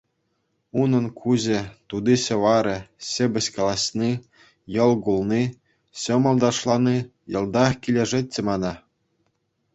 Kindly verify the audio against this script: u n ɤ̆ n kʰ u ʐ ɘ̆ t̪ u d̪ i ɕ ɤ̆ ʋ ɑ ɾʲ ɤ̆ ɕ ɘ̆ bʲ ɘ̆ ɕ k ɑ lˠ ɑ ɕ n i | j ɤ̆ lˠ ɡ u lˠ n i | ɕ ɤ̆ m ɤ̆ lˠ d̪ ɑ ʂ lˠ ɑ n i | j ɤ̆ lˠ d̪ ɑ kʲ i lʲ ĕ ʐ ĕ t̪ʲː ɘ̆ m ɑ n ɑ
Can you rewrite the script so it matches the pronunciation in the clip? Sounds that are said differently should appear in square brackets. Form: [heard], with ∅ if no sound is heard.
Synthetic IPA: u n ɤ̆ n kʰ u [ʑ] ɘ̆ t̪ u d̪ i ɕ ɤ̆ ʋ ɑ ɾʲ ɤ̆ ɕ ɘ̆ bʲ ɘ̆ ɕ k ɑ lˠ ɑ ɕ n i | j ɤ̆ lˠ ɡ u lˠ n i | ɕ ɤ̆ m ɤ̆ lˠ d̪ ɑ ʂ lˠ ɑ n i | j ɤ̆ lˠ d̪ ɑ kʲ i lʲ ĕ ʐ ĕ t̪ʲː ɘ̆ m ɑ n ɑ

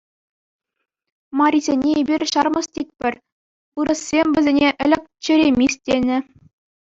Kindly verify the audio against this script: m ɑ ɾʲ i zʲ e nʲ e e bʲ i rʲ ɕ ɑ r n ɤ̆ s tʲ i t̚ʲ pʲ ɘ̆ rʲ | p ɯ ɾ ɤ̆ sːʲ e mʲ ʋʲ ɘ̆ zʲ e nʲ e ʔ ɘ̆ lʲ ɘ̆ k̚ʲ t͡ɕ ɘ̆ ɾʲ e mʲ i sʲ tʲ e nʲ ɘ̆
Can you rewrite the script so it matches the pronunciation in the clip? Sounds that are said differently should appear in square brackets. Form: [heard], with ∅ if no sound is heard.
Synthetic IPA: m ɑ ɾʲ i zʲ e nʲ e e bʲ i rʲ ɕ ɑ r [m] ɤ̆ s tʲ i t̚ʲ pʲ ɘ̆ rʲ | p ɯ ɾ ɤ̆ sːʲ e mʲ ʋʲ ɘ̆ zʲ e nʲ e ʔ ɘ̆ lʲ ɘ̆ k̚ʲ t͡ɕ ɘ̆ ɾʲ e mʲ i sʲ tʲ e nʲ ɘ̆

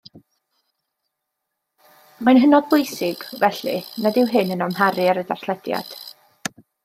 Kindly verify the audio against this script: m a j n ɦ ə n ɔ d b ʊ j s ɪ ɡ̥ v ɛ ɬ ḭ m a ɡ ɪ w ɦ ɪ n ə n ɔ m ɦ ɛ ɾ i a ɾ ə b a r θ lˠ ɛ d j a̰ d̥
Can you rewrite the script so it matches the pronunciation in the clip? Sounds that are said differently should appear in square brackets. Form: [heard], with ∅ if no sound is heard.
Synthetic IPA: m a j n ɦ ə n ɔ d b ʊ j s ɪ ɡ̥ v ɛ ɬ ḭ [n] a [d] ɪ w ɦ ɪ n ə n ɔ m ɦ [a] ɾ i a ɾ ə [d] a r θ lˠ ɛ d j a̰ d̥

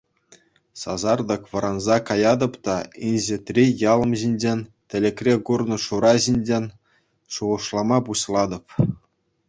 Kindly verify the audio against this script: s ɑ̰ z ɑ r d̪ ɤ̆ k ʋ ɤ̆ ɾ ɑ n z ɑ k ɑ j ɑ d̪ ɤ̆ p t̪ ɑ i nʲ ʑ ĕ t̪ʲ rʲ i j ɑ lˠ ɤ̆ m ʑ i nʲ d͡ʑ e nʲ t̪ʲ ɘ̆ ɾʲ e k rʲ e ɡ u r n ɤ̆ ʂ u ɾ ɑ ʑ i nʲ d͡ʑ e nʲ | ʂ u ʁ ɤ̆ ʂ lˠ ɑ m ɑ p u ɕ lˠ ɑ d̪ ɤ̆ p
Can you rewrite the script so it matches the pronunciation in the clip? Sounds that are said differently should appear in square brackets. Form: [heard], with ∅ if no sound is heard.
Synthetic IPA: s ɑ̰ z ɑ r d̪ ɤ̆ k ʋ ɤ̆ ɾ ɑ n z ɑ k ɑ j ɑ d̪ ɤ̆ p t̪ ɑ i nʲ ʑ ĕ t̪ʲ rʲ i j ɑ lˠ ɤ̆ m ʑ i nʲ d͡ʑ e nʲ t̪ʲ ɘ̆ [lʲ] e k rʲ e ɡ u r n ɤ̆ ʂ u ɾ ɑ ʑ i nʲ d͡ʑ e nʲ | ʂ u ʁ ɤ̆ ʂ lˠ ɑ m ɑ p u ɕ lˠ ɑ d̪ ɤ̆ p

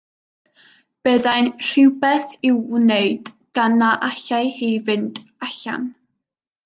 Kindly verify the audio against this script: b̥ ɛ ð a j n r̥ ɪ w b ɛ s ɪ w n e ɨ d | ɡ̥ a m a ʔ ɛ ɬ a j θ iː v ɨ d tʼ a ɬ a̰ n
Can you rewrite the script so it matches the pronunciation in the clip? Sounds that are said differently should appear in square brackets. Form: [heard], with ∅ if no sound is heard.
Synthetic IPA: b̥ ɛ ð a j n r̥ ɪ w b ɛ [θ] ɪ w n e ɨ d | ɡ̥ a [n] a ʔ [a] ɬ a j [h] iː v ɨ [n] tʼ a ɬ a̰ n

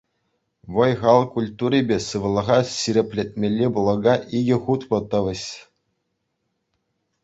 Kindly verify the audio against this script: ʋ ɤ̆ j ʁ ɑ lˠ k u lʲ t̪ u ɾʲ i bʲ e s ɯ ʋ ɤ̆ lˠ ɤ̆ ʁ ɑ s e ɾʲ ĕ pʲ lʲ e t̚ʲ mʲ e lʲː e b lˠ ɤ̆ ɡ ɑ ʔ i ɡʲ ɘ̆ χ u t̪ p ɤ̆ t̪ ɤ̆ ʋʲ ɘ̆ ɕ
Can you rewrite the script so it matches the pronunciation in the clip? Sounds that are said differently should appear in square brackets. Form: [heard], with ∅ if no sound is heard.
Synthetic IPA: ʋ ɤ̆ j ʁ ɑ lˠ k u lʲ t̪ u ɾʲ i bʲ e s ɯ ʋ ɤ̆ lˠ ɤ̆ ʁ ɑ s [i] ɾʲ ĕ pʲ lʲ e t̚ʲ mʲ e lʲː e b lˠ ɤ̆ ɡ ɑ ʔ i ɡʲ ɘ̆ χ u t̪ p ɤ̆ t̪ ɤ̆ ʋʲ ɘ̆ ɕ

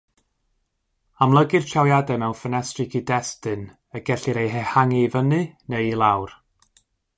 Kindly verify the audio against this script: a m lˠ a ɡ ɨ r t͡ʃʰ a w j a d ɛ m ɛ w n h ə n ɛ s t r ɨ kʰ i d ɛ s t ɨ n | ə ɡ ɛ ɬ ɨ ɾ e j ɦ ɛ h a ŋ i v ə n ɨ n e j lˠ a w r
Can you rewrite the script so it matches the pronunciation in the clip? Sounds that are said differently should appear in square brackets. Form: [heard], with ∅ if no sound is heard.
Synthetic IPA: a m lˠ [ə] ɡ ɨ r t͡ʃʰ a w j a d ɛ m ɛ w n [f] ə n ɛ s t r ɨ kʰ i d ɛ s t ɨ n | ə ɡ ɛ ɬ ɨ ɾ e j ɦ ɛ h a ŋ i v ə n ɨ n e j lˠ a w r

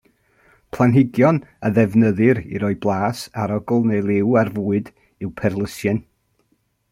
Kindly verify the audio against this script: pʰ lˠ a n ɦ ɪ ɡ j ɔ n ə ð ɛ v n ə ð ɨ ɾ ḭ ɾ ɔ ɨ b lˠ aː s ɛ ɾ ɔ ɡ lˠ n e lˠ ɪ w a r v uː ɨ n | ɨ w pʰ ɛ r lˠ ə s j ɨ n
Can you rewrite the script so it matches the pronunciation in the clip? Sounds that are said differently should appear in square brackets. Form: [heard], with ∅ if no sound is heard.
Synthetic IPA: pʰ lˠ a n ɦ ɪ ɡ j ɔ n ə ð ɛ v n ə ð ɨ ɾ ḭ ɾ ɔ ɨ b lˠ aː s [a] ɾ ɔ ɡ lˠ n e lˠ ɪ w a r v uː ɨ [d] | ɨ w pʰ ɛ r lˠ ə s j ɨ n

